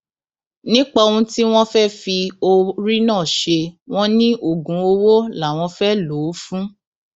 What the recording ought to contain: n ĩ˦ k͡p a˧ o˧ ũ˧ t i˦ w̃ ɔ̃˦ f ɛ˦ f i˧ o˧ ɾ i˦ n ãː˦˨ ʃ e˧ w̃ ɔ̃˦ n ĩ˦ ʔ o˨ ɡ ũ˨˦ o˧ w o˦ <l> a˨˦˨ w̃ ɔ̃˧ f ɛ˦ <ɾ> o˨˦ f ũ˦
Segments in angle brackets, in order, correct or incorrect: correct, incorrect

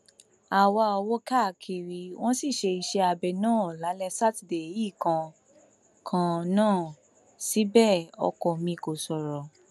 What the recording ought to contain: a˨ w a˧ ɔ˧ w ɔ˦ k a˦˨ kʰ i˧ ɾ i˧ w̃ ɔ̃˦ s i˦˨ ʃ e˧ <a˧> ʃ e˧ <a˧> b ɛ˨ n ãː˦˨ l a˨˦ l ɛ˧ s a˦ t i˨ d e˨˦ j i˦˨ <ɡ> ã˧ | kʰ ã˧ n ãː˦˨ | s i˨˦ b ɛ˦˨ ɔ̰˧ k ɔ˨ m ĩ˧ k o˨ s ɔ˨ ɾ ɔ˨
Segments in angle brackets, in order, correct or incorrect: incorrect, correct, incorrect

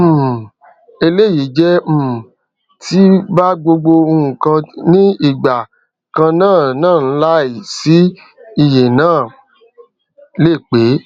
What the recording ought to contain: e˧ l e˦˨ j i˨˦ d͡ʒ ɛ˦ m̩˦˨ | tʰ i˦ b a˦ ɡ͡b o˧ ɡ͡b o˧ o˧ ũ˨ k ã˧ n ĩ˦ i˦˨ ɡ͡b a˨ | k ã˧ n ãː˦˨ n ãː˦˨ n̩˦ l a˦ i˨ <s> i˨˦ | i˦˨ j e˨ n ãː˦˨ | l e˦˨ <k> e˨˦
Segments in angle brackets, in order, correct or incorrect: correct, incorrect

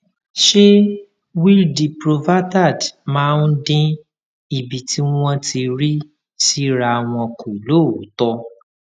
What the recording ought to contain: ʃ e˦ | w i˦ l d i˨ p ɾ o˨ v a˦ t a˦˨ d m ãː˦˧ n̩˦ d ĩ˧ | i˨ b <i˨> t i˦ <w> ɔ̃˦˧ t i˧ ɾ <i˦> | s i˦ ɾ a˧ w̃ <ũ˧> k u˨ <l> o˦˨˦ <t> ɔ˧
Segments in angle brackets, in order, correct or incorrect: correct, correct, correct, incorrect, correct, correct

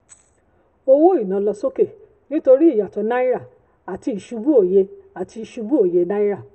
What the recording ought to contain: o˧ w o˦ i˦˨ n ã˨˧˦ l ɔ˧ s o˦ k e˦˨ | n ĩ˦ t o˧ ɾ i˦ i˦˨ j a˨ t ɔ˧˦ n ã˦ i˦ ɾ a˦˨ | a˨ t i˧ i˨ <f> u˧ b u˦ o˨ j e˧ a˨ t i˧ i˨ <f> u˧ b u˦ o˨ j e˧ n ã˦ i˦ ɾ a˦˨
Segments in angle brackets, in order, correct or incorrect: incorrect, incorrect

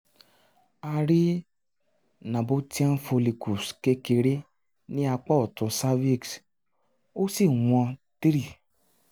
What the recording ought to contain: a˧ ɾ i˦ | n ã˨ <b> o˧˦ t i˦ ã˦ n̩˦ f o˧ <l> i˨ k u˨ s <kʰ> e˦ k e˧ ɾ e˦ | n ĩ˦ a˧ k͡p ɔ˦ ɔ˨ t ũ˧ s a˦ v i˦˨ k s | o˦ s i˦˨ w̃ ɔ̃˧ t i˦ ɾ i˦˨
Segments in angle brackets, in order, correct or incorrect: correct, correct, incorrect

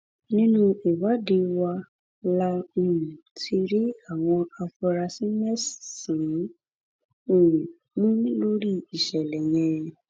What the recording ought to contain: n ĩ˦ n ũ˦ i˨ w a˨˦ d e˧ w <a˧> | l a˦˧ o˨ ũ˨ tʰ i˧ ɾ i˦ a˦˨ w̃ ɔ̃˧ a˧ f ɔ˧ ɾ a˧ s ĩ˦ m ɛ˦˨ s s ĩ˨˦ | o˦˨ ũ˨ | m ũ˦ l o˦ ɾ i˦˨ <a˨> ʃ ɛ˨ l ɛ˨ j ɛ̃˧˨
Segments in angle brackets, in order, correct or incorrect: correct, incorrect

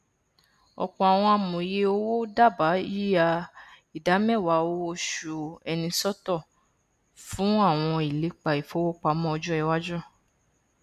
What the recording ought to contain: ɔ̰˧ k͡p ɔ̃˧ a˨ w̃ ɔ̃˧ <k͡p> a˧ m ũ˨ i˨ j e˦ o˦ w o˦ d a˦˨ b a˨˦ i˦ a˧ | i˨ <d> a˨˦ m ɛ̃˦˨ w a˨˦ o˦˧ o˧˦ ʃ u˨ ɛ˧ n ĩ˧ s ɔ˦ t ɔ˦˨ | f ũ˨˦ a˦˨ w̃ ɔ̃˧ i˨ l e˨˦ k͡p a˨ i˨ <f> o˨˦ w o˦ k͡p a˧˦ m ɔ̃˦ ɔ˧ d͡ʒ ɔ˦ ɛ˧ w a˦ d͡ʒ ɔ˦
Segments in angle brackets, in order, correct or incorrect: incorrect, correct, correct

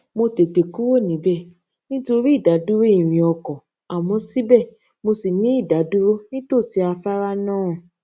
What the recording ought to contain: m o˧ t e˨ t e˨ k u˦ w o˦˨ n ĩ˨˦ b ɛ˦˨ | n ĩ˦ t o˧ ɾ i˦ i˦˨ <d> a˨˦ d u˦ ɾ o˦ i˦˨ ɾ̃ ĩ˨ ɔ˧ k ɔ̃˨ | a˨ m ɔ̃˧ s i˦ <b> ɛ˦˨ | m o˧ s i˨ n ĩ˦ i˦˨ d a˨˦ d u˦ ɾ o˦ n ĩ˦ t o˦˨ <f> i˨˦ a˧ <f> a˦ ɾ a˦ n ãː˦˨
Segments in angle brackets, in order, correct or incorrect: correct, correct, incorrect, correct

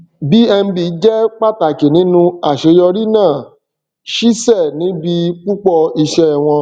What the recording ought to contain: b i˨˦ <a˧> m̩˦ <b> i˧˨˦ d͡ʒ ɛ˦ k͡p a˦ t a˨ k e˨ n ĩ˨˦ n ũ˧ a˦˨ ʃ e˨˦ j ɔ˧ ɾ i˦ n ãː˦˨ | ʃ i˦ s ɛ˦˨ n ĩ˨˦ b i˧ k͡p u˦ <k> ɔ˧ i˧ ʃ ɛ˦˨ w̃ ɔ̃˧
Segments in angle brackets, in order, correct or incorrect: incorrect, correct, incorrect

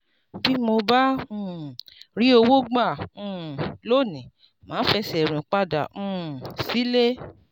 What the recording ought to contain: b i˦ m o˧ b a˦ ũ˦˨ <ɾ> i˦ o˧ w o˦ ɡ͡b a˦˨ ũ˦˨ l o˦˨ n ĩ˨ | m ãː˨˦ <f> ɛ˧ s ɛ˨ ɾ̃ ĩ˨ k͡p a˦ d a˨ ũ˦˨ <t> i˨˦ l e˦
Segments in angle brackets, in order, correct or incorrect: correct, correct, incorrect

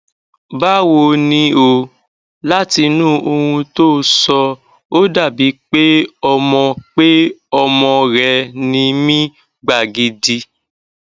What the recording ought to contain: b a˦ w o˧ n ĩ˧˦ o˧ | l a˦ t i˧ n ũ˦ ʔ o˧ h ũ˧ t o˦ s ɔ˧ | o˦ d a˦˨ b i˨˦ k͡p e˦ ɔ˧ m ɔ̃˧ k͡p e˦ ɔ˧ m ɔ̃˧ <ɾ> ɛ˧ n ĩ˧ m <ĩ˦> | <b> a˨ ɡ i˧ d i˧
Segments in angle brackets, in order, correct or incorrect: correct, correct, incorrect

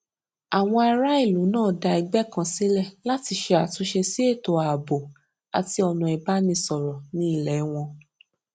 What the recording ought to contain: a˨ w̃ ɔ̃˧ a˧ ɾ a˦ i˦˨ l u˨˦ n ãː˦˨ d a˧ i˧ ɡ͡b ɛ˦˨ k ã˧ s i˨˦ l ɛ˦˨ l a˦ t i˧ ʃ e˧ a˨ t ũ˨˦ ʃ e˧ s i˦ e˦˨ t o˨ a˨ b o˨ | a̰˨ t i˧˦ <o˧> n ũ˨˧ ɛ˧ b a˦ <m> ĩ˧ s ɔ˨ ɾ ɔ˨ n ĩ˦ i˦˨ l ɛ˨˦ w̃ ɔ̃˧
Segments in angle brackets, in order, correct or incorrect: incorrect, incorrect

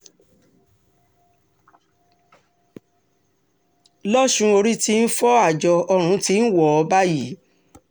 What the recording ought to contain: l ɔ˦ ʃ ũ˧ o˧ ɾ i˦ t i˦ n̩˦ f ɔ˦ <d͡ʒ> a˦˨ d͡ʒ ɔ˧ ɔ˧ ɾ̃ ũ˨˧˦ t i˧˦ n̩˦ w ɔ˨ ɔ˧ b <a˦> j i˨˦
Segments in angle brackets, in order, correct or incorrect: incorrect, correct

